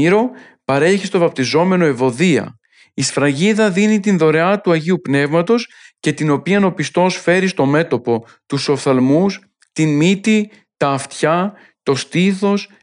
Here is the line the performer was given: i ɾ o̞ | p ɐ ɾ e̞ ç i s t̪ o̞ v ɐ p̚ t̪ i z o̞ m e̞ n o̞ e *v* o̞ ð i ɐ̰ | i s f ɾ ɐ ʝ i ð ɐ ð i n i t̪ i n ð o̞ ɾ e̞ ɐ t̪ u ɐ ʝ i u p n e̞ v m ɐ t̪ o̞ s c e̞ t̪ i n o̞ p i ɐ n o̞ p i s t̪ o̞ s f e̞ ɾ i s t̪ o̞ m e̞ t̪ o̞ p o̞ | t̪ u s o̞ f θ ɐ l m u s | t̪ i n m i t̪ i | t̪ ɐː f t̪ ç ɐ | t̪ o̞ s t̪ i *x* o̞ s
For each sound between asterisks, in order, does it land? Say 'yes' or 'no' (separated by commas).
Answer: yes, no